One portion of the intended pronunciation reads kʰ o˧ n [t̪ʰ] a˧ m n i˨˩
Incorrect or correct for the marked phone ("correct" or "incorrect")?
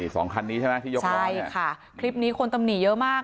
incorrect